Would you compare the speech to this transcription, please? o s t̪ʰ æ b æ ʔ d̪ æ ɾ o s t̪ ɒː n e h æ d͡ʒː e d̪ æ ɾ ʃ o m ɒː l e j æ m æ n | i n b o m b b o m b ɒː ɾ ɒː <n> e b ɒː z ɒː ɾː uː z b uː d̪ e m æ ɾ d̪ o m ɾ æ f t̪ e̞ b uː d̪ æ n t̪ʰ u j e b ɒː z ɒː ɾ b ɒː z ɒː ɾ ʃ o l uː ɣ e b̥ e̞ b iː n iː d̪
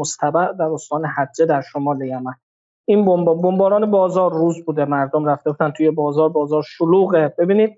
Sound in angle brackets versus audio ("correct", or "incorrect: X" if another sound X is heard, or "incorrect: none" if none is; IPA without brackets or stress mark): correct